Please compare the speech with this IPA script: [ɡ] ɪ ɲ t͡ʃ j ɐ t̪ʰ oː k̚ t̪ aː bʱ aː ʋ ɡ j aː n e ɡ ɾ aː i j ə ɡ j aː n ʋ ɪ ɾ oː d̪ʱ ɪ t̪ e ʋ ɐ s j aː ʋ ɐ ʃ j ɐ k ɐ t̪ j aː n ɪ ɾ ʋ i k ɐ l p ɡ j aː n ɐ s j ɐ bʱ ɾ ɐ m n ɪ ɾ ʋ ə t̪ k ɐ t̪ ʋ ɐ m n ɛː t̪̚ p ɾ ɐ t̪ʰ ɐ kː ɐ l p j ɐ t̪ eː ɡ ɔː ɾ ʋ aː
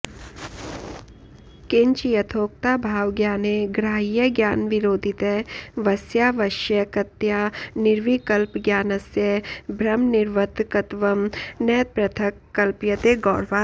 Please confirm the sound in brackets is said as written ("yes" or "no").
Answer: no